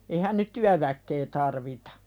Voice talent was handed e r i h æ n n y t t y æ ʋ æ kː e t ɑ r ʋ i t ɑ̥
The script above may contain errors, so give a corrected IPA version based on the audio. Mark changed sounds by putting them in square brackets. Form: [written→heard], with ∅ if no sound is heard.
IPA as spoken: e [r→∅] i h æ n n y t t y æ ʋ æ kː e t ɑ r ʋ i t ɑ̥